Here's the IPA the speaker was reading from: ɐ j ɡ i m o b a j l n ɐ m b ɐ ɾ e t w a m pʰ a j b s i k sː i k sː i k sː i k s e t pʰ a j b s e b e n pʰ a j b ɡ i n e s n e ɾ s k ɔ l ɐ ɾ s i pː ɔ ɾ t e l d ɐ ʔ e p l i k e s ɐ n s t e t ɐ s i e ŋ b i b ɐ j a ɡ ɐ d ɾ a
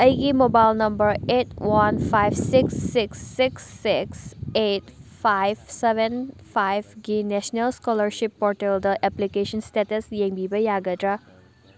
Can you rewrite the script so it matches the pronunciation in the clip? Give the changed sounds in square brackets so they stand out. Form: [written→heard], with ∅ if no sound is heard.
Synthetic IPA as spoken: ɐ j ɡ i m o b a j l n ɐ m b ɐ ɾ e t w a [m→n] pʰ a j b s i k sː i k sː i k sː i k s e t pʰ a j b s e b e n pʰ a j b ɡ i n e s n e [ɾ→l] s k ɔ l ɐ ɾ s i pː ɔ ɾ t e l d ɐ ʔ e p l i k e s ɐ n s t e t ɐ s [i→j] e ŋ b i b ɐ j a ɡ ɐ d ɾ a